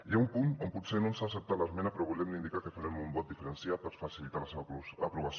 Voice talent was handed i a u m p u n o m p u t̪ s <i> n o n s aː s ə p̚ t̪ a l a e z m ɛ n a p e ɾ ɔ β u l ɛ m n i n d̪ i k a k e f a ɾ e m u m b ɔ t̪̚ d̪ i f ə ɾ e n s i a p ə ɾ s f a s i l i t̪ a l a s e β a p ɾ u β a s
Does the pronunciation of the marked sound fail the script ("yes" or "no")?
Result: yes